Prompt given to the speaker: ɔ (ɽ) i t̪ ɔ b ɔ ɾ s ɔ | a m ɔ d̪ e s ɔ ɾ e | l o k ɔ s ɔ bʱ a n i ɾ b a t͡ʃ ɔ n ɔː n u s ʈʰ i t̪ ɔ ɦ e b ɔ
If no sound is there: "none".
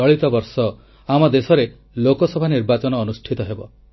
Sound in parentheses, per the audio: ɭ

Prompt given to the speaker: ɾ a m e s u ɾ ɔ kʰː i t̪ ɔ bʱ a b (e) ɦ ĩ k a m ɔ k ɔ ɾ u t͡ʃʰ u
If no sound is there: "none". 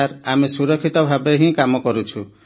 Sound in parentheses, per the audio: e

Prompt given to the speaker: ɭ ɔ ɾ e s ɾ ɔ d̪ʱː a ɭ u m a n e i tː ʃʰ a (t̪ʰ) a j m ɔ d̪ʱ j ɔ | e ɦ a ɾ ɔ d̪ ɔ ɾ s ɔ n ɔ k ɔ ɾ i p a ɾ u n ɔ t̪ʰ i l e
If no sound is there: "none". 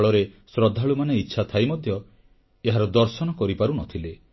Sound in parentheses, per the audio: t̪ʰ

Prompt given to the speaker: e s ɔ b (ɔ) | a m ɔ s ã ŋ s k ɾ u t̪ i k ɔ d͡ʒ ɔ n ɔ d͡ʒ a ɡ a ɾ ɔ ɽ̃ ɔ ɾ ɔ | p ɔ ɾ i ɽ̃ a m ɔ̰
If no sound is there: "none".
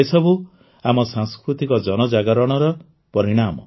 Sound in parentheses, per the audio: u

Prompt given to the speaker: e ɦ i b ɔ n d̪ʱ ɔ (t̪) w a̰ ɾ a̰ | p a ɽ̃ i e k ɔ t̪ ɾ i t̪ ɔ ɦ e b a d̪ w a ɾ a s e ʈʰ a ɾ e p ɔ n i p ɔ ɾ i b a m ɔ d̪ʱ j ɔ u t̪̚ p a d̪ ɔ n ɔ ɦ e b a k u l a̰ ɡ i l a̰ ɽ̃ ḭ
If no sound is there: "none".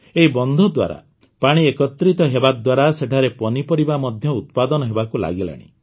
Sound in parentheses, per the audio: d̪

